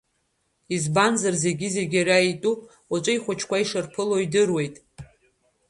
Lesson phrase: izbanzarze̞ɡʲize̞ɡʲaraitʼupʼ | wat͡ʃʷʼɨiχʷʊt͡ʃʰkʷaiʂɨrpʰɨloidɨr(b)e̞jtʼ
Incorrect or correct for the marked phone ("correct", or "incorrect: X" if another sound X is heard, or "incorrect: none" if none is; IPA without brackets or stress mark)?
incorrect: w